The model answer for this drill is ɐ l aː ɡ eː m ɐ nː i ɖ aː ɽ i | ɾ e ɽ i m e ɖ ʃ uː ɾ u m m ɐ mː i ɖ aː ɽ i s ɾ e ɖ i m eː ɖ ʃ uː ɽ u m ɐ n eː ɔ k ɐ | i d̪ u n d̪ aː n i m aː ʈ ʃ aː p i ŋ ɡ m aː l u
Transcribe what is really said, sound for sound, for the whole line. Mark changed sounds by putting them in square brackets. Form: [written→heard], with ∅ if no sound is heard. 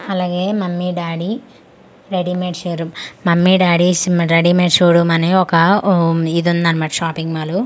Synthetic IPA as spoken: ɐ l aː ɡ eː m ɐ [nː→mː] i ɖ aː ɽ i | ɾ e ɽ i m e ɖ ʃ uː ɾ u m m ɐ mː i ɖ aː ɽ i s ɾ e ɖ i m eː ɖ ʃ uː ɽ u m ɐ n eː ɔ k ɐ | i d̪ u n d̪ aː n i m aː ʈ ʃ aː p i ŋ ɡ m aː l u